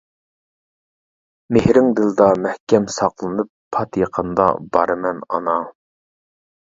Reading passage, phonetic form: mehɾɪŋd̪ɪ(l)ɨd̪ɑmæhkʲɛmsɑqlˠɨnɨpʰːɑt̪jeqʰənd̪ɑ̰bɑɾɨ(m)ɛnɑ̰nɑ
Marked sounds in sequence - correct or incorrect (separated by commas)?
correct, correct